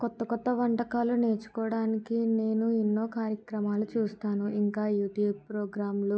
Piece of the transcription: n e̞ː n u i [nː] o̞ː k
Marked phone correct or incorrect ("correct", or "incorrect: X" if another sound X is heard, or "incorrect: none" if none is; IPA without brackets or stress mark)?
correct